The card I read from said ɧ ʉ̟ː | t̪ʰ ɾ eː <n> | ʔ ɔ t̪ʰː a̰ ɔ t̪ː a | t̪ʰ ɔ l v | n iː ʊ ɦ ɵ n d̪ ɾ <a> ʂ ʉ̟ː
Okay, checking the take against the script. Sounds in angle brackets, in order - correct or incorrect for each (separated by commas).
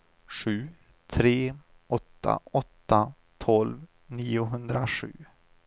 incorrect, correct